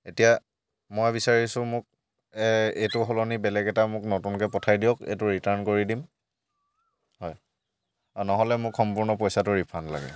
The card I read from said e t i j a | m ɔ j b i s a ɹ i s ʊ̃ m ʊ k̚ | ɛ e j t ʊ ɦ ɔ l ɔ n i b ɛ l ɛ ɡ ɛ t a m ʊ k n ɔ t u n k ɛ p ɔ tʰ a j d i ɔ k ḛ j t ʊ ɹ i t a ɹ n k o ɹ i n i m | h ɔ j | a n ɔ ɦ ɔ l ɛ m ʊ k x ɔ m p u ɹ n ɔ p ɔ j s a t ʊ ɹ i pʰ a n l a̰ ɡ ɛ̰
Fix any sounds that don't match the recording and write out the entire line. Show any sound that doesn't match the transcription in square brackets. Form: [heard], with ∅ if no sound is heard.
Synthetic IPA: e t i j a | m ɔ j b i s a ɹ i s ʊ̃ m ʊ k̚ | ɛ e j t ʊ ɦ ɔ l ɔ n i b ɛ l ɛ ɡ ɛ t a m ʊ k n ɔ t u n k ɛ p ɔ tʰ a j d i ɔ k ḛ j t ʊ ɹ i t a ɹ n k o ɹ i [d] i m | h ɔ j | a n ɔ ɦ ɔ l ɛ m ʊ k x ɔ m p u ɹ n ɔ p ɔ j s a t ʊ ɹ i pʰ a n l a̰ ɡ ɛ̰